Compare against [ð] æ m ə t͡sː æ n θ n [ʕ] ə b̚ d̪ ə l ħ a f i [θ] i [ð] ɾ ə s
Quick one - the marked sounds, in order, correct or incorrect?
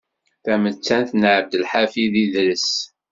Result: incorrect: θ, correct, incorrect: ð, correct

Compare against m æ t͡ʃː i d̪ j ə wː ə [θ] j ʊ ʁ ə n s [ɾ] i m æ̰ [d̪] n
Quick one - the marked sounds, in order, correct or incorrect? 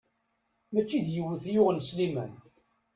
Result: correct, incorrect: l, incorrect: none

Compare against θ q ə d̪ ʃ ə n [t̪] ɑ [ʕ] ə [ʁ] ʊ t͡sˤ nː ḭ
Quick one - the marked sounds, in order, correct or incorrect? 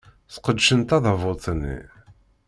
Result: correct, incorrect: ð, incorrect: v

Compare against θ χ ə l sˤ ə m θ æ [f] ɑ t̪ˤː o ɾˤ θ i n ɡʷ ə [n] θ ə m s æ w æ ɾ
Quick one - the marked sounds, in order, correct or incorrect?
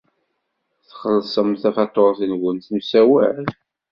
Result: correct, correct

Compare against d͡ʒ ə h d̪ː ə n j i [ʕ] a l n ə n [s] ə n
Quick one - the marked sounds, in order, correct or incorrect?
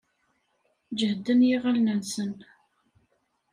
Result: incorrect: ʁ, correct

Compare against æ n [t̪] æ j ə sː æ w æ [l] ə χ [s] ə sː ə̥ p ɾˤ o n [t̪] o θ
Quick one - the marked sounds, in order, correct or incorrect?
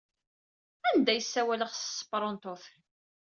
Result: incorrect: d̪, correct, correct, correct

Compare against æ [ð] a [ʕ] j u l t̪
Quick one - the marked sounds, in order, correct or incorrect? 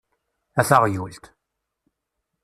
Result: incorrect: θ, incorrect: ʁ

